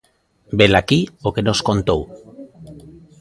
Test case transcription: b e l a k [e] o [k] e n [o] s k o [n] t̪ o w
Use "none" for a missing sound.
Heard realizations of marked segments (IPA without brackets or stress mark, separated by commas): i, k, o, n